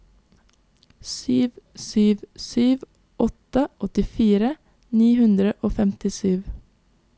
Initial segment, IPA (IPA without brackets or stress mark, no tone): s